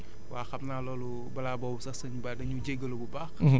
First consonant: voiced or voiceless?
voiced